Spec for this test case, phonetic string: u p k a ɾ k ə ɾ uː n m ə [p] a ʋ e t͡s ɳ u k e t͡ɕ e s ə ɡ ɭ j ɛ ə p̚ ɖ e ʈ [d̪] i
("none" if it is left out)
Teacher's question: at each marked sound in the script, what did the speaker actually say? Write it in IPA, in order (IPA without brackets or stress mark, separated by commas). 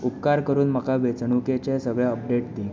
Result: k, d̪